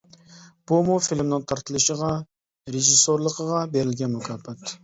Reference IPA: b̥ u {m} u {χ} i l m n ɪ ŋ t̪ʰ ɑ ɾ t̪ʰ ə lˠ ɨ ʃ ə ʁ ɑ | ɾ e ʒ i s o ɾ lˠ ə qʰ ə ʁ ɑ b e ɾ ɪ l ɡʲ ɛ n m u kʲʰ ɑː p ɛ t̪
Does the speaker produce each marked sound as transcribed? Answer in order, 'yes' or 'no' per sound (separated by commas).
yes, no